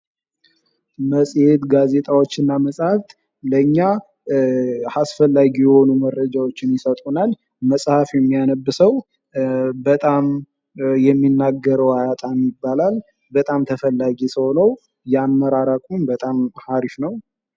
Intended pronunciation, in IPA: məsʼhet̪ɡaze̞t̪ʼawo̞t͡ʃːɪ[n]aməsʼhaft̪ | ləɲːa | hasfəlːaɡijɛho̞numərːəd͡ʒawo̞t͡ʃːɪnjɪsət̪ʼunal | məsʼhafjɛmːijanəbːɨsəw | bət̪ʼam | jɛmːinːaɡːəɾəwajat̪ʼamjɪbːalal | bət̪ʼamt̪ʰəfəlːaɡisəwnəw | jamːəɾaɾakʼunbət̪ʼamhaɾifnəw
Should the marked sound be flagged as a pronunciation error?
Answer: yes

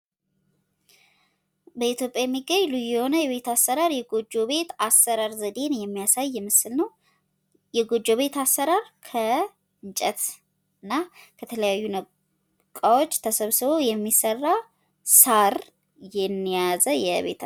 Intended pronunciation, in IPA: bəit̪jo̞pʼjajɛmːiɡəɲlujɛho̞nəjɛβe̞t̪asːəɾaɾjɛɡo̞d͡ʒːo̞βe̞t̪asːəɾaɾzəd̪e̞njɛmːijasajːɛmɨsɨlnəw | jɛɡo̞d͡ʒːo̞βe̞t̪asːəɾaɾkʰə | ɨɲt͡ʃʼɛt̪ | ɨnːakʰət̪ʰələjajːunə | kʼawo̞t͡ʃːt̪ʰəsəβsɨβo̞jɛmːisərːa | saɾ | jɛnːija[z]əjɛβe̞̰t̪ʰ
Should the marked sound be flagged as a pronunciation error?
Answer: no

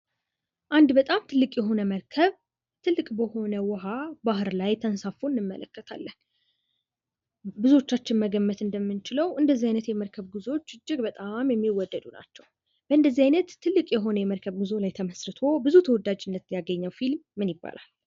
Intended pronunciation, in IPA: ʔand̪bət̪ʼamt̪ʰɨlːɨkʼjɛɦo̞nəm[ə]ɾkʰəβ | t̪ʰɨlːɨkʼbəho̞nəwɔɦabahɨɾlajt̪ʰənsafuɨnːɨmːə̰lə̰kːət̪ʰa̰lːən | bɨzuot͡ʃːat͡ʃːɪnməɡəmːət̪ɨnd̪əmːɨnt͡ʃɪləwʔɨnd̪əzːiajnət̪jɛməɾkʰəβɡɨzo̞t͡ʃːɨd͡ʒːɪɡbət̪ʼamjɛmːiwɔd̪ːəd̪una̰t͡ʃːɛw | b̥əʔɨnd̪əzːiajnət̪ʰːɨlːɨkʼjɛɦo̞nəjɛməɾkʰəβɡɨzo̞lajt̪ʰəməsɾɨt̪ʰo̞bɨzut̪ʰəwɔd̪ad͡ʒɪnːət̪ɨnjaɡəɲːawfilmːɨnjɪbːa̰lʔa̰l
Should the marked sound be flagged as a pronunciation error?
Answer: no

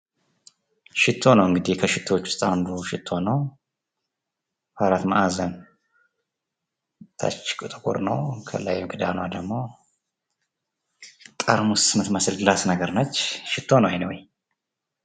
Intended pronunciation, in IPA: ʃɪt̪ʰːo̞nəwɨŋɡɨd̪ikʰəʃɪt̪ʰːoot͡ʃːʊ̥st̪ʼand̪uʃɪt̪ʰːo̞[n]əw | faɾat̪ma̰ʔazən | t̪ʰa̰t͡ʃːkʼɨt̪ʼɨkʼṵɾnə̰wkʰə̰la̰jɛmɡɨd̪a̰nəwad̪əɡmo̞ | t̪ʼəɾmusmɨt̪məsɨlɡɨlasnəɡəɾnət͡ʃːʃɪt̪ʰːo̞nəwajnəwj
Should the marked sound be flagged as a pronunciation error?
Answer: no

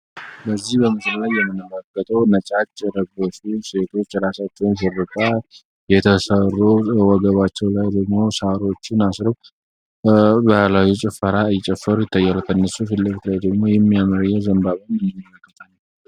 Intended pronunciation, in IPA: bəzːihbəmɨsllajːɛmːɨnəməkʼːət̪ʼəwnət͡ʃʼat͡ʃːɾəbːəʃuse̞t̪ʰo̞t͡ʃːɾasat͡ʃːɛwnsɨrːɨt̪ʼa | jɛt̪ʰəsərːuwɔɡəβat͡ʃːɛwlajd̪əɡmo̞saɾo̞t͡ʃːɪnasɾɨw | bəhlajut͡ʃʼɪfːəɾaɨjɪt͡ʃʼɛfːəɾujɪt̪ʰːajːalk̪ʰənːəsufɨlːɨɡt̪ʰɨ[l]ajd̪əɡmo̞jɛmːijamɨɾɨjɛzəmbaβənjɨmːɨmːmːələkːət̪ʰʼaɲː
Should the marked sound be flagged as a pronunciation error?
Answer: no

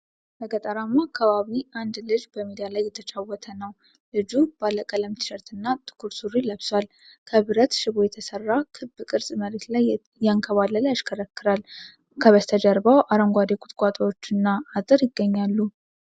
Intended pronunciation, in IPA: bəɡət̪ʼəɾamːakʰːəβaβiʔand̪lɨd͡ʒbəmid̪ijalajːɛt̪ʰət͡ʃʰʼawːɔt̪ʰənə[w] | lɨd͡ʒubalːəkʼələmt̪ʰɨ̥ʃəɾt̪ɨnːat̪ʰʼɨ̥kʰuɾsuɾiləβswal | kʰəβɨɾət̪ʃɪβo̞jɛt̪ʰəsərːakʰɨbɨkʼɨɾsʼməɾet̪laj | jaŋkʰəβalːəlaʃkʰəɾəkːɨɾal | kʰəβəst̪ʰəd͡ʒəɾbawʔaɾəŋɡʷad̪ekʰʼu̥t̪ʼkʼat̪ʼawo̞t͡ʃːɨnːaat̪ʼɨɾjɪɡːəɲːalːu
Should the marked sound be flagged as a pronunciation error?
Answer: no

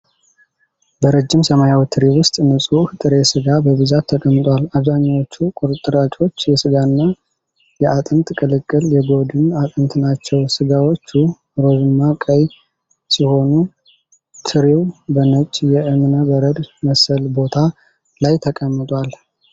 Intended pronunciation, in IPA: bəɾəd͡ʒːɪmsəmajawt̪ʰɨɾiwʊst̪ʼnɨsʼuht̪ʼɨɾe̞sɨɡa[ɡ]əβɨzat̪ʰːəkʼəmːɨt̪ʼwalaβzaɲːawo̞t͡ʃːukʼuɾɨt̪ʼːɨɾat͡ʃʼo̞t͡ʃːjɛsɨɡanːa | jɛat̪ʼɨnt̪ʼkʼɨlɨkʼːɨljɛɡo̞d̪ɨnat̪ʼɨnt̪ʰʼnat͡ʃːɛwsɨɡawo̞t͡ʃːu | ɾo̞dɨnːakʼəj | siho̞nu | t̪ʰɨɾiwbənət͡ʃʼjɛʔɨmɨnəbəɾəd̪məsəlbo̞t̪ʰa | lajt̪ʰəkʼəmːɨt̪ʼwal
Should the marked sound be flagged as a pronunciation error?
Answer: yes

